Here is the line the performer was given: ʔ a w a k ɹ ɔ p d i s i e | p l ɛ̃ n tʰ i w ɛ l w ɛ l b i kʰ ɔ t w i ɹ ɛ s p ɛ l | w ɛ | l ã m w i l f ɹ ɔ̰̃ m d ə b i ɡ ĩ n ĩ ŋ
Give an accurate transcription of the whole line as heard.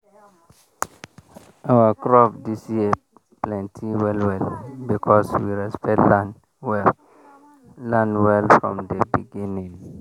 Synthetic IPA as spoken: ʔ a w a k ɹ ɔ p d i s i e | p l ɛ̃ n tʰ i w ɛ l w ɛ l b i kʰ ɔ s w i ɹ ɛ s p ɛ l | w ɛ | l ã n w ɛ l f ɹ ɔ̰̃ m d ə b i ɡ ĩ n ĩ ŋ